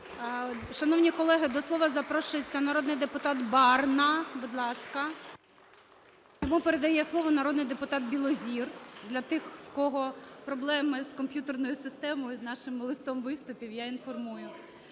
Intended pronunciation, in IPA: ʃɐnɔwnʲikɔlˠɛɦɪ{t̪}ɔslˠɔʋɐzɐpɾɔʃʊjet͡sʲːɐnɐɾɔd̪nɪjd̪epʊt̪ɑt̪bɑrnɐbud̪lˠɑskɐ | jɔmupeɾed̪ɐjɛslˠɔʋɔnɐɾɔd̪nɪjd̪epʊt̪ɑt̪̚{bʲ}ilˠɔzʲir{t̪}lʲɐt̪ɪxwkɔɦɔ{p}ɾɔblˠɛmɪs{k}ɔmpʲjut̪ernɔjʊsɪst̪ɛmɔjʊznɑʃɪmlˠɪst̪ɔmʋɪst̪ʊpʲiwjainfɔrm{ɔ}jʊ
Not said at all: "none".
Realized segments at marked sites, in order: d̪, bʲ, d̪, p, k, u

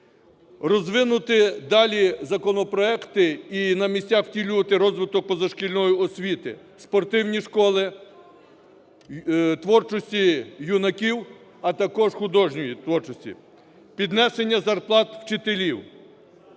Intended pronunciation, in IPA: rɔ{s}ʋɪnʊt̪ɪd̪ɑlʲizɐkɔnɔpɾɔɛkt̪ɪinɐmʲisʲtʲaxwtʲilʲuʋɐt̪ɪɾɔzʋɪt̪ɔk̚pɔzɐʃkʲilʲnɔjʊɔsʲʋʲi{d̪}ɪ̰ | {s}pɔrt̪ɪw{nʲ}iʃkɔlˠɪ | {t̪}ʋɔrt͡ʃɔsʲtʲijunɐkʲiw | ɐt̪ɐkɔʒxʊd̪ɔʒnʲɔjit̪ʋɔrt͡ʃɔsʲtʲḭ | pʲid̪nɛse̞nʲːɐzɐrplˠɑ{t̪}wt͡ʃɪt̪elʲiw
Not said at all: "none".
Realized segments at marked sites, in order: z, t̪, s, nʲ, t̪, t̪

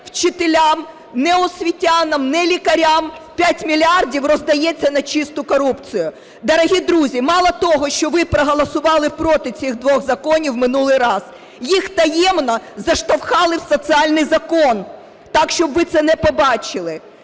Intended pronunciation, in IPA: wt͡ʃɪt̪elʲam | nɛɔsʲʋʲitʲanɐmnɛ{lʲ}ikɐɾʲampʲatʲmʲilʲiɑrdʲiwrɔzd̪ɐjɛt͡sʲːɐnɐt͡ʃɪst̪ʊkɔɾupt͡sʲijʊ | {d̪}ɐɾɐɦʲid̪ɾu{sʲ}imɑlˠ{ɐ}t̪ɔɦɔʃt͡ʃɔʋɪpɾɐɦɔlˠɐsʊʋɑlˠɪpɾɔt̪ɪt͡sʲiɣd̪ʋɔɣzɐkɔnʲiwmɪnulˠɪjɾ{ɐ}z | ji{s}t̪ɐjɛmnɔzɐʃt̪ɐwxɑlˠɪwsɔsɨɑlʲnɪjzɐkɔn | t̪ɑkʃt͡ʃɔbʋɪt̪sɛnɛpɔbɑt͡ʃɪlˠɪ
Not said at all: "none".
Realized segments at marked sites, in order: lʲ, d̪, zʲ, ɐ, ɑ, x

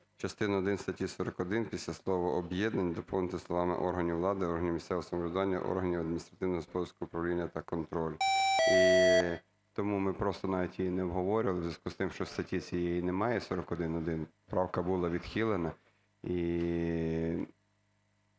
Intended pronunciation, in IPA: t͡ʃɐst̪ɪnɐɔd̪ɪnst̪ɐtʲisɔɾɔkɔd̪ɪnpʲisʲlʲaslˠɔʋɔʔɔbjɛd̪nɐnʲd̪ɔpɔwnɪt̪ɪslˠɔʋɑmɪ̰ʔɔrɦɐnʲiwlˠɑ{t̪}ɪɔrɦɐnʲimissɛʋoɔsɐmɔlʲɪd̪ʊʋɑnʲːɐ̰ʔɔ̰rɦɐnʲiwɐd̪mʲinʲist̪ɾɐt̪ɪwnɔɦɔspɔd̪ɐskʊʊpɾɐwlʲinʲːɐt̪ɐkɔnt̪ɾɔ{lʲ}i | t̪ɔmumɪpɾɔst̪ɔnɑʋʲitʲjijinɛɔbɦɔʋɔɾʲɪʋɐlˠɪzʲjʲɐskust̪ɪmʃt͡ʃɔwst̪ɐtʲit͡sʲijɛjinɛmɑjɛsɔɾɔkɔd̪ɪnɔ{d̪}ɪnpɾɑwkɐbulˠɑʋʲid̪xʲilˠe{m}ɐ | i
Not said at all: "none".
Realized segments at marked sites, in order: d̪, lʲ, d̪, n

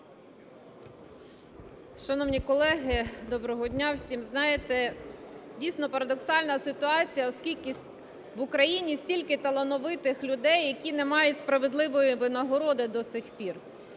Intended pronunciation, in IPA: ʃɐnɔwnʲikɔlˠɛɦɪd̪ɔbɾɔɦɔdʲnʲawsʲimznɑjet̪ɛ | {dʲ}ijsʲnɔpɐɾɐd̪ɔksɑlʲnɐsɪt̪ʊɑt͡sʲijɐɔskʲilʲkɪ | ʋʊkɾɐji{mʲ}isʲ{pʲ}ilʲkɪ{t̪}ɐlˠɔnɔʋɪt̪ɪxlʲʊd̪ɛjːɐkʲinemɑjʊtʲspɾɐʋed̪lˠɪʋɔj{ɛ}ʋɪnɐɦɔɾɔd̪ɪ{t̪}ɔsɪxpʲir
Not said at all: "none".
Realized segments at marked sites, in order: dʲ, nʲ, tʲ, t̪, i, d̪

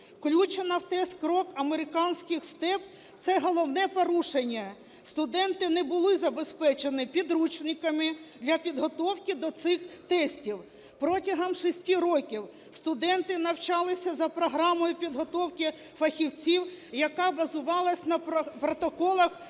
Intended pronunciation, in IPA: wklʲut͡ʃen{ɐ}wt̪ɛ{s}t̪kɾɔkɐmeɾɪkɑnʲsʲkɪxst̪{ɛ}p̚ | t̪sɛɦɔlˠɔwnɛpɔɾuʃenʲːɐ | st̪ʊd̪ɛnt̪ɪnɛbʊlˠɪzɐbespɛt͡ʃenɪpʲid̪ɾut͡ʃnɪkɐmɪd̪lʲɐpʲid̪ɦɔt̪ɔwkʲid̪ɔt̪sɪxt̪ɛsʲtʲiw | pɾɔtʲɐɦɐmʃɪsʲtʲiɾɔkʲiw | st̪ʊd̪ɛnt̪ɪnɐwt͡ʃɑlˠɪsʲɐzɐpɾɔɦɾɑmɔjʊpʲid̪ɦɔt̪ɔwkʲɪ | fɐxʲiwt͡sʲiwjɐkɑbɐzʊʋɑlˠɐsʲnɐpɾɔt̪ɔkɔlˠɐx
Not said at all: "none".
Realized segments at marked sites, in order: ɐ, s, ɛ

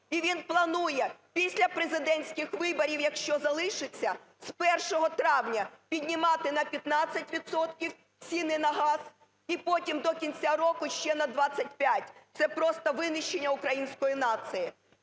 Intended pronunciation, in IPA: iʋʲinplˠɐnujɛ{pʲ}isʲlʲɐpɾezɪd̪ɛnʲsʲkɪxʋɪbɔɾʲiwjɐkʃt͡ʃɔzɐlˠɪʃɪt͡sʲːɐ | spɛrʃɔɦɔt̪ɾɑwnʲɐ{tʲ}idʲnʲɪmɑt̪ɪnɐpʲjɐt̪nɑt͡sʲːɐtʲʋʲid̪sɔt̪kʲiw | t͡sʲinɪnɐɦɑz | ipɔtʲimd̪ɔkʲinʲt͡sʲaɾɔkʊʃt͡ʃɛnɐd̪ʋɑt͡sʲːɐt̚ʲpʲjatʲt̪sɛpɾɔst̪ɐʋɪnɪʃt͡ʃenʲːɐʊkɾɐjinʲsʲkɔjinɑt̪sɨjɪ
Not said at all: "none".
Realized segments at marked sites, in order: pʲ, pʲ

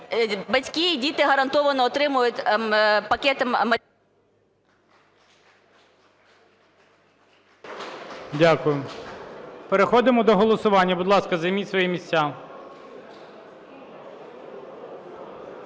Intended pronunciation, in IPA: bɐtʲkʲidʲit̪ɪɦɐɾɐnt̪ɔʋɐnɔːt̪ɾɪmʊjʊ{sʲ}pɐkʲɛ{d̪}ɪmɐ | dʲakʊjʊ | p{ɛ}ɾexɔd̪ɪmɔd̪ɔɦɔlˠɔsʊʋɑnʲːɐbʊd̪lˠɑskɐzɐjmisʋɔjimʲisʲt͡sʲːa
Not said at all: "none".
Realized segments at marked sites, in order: tʲ, t̪, e

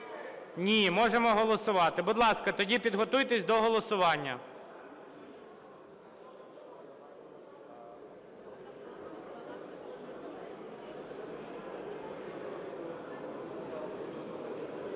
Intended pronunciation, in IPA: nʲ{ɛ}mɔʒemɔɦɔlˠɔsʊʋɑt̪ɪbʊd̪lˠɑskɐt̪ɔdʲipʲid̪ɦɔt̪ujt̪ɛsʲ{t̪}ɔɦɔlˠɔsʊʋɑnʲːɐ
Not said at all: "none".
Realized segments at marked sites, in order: i, d̪

